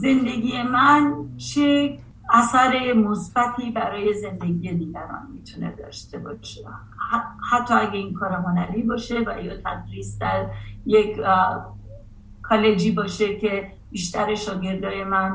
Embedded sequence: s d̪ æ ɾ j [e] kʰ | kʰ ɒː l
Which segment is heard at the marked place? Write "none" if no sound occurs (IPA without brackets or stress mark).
e